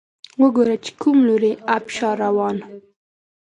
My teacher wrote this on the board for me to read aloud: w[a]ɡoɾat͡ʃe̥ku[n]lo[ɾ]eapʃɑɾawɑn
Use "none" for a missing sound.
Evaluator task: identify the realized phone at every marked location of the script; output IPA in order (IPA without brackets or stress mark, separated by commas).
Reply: ə, m, ɾ